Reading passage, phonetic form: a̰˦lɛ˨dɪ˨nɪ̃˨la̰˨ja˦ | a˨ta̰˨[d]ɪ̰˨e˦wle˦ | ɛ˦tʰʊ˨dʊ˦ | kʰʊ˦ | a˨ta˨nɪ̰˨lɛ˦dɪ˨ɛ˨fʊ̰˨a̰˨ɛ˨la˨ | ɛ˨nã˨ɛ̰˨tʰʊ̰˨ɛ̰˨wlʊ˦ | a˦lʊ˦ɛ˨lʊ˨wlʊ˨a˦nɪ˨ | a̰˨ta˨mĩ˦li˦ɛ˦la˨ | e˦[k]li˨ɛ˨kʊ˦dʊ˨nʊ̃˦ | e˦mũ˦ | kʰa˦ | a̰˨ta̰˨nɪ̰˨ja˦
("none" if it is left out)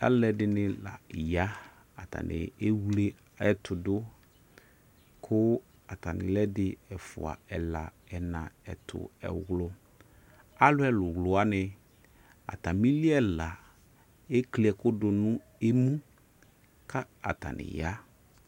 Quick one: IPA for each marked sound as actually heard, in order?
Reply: n, k

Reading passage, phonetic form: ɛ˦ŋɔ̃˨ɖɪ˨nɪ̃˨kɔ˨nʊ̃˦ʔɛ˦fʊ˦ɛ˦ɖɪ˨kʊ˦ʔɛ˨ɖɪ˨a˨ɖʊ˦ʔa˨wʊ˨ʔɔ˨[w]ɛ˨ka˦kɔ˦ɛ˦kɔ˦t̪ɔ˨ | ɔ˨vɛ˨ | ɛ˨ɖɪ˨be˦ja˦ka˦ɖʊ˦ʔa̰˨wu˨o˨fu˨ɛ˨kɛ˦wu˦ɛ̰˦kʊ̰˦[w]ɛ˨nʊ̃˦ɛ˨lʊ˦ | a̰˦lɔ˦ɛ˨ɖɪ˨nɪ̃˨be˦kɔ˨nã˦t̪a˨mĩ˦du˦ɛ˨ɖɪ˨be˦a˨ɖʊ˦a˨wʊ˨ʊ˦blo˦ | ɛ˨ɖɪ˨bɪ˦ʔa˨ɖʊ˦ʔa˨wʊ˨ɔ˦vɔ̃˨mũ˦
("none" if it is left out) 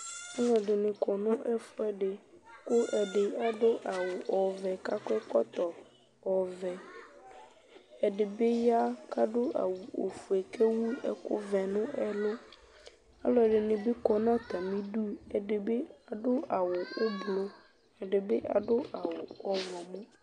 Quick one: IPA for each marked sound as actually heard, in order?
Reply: v, v

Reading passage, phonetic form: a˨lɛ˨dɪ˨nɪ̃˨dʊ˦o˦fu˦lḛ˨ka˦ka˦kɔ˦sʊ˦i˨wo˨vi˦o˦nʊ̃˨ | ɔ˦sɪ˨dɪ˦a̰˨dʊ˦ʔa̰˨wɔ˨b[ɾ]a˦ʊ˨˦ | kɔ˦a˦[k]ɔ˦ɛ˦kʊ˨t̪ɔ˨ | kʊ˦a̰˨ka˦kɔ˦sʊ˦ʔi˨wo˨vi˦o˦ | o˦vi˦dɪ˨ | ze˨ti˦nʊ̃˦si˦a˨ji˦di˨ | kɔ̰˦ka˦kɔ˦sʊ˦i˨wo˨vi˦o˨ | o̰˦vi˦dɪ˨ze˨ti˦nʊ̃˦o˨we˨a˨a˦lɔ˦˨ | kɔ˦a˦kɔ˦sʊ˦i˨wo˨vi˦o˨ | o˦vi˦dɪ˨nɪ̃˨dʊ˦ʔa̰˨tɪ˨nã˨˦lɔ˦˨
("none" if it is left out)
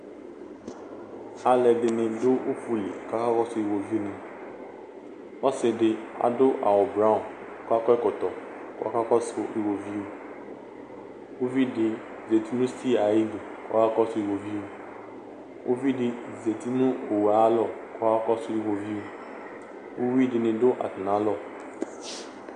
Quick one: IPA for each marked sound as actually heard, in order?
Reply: ɾ, k

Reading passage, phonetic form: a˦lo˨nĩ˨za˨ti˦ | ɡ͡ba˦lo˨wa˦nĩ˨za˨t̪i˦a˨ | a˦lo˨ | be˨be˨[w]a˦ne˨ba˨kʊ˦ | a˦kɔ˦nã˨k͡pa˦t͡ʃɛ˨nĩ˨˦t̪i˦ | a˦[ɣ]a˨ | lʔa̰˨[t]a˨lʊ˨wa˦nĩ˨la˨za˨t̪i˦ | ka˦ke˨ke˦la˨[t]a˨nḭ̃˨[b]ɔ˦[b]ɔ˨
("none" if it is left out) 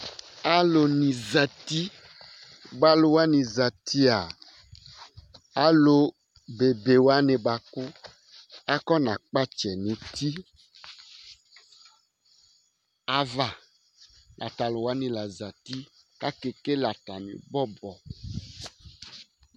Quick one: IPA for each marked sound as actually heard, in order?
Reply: w, v, t, t, b, b

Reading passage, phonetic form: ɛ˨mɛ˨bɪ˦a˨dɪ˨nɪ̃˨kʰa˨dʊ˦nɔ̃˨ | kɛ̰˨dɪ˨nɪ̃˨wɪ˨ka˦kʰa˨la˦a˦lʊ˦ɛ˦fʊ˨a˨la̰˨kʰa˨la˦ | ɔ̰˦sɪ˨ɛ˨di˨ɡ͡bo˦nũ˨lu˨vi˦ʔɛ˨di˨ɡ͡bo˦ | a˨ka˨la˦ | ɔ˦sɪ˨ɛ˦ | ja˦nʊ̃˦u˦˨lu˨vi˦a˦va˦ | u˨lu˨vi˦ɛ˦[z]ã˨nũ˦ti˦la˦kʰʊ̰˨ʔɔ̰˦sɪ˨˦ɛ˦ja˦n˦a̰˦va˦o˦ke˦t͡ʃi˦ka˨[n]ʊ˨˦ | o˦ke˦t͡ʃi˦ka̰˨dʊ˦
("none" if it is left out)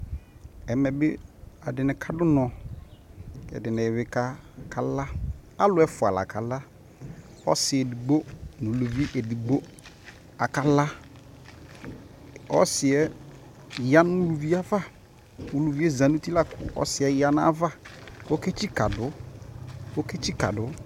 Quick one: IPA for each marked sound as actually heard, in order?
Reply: z, d

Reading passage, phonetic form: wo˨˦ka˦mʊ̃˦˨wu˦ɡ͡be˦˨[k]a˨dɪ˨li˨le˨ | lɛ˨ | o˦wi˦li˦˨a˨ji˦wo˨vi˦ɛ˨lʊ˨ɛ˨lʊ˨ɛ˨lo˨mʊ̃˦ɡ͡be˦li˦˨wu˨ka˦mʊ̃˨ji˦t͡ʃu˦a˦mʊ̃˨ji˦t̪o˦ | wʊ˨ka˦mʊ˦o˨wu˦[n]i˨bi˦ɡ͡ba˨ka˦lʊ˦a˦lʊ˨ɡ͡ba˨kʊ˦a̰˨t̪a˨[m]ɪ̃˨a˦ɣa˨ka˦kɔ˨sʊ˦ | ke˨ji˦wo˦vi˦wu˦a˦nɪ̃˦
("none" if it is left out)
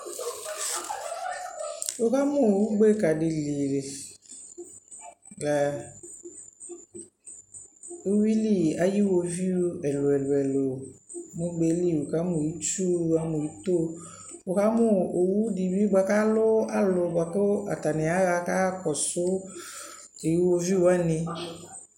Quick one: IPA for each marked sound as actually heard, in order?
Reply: k, d, n

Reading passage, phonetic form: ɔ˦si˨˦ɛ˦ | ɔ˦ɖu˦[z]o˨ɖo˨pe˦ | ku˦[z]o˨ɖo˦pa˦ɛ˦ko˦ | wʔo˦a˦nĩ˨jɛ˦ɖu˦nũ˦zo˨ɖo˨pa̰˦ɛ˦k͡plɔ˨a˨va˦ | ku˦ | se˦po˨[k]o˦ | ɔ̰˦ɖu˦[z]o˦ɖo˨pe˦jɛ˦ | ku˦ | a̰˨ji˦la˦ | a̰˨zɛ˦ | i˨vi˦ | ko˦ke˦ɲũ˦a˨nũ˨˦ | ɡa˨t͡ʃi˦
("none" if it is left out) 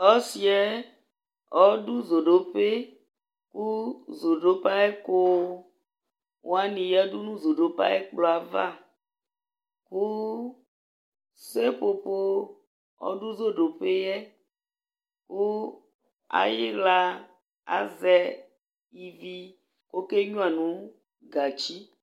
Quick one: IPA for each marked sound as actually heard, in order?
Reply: z, z, p, z

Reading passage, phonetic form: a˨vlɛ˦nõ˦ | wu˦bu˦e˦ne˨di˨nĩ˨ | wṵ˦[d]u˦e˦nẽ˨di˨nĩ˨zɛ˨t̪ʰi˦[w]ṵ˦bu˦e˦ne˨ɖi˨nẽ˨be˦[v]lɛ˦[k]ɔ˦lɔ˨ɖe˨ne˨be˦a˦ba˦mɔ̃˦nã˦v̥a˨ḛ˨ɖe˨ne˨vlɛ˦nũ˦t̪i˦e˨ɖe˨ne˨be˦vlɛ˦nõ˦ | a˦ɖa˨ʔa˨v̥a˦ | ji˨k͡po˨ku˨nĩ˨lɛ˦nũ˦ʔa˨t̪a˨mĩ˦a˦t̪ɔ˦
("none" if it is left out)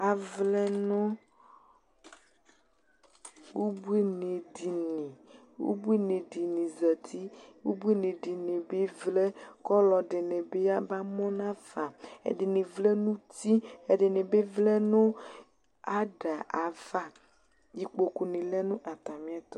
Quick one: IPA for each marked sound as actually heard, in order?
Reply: b, w, v, k

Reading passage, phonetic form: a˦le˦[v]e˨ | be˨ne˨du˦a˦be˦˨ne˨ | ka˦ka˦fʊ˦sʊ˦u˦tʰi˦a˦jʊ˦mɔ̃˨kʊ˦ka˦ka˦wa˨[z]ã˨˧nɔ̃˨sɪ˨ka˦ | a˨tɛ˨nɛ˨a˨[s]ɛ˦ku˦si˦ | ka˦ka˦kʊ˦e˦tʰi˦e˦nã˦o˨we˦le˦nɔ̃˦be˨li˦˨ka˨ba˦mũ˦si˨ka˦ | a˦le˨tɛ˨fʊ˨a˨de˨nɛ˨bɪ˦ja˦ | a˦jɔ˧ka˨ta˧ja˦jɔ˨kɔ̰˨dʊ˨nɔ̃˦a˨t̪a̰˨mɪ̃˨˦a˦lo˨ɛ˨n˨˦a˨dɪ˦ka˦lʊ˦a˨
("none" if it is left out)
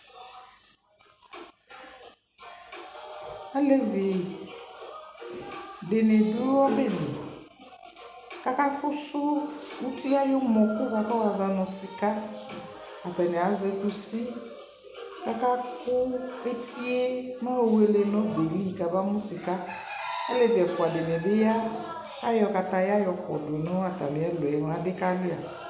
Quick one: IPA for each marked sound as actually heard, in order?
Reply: v, z, z

